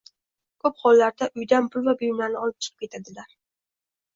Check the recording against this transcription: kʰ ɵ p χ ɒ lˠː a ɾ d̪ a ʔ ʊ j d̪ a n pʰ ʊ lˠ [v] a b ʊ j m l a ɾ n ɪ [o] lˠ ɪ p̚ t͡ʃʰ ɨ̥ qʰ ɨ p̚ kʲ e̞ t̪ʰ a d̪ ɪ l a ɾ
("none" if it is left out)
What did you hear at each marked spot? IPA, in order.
v, ɒ

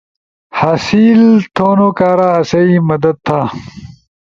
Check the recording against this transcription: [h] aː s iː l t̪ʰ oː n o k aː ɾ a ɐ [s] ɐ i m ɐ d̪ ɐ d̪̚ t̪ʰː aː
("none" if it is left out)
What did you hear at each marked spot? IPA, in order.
h, s

